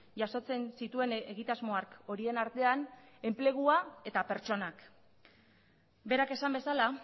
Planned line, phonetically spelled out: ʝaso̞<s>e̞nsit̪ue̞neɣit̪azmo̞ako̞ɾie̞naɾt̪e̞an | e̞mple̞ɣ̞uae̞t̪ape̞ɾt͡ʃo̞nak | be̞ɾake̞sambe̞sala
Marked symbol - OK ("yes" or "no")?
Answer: no